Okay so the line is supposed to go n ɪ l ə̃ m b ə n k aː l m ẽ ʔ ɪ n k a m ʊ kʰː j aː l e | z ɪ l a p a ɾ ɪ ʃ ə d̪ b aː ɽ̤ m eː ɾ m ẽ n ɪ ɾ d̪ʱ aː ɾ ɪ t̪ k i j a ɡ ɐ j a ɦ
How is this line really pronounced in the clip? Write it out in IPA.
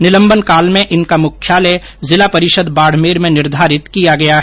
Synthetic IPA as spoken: n ɪ l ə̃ m b ə n k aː l m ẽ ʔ ɪ n k a m ʊ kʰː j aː l e | z ɪ l a p ɐ ɾ ɪ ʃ ə d̪ b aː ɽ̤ m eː ɾ m ẽ n ɪ ɾ d̪ʱ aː ɾ ɪ t̪ k i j a ɡ ɐ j a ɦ